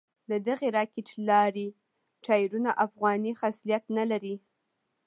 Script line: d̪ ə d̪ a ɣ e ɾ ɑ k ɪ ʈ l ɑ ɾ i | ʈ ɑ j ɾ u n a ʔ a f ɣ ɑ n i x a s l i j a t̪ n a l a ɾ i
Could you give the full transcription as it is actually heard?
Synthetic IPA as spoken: d̪ ə d̪ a ɣ e ɾ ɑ k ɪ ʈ l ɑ ɾ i | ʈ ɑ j ɾ u n a ʔ a f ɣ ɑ n i x a s l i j a t̪ n a l a ɾ i